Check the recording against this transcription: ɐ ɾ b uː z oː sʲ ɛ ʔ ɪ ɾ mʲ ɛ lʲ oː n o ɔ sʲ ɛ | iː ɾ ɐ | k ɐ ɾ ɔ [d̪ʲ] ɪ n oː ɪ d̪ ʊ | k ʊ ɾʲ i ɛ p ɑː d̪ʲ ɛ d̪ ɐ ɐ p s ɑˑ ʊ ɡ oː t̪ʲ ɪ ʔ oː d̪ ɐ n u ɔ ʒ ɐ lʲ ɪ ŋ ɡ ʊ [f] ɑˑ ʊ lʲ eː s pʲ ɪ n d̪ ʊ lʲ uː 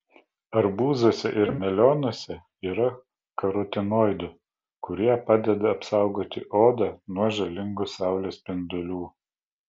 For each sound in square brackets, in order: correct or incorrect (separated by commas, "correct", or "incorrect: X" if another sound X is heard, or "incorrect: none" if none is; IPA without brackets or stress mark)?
incorrect: t̪ʲ, incorrect: s